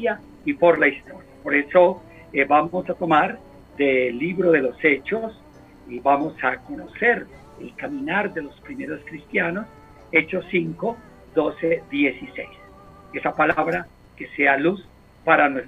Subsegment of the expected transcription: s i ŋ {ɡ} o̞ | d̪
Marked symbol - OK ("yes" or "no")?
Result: no